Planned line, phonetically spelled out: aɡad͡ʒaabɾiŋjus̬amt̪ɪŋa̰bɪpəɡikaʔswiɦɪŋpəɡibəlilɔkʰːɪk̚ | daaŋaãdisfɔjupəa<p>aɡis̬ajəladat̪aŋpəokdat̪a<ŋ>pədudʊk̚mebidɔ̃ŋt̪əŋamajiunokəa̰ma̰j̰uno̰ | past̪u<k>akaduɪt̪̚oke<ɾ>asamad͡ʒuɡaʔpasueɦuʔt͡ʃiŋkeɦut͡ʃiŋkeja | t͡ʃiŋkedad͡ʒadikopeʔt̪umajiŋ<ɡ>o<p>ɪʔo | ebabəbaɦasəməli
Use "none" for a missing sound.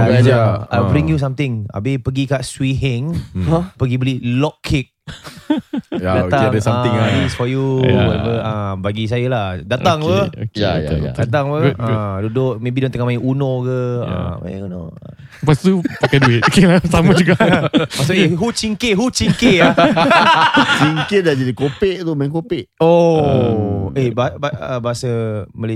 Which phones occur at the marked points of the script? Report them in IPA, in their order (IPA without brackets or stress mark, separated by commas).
b, ŋ, p, l, k, p